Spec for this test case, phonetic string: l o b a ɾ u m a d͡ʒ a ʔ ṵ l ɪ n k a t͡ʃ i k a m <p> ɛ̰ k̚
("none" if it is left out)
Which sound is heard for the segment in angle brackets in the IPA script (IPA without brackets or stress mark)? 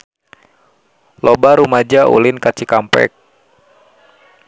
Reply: p